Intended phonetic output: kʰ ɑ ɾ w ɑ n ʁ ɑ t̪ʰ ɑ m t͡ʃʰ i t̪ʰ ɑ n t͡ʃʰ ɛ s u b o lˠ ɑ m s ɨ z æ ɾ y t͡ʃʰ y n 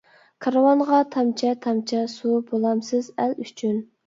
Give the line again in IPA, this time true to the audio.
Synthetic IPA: kʰ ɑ ɾ w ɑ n ʁ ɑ t̪ʰ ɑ m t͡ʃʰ ɛ t̪ʰ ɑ m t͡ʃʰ ɛ s u b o lˠ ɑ m s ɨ z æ l y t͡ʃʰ y n